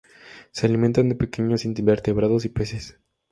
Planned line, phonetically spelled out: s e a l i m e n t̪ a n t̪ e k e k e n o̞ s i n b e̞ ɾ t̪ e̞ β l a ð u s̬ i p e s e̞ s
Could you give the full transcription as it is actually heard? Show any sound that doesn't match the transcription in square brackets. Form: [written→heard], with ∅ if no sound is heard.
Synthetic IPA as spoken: s e a l i m e n t̪ a n [t̪→d̪] e [k→p] e k e [n→ɲ] o̞ s i n b e̞ ɾ t̪ e̞ β [l→ɾ] a ð [u→o] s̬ i p e s e̞ s